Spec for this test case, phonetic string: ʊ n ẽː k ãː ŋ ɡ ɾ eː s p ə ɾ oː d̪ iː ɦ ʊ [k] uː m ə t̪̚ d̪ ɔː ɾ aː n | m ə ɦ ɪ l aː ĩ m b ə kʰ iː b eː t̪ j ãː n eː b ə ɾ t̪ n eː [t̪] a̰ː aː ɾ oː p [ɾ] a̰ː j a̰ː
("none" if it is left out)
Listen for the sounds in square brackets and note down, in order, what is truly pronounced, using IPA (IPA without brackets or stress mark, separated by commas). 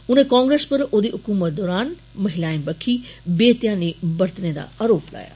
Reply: k, d̪, l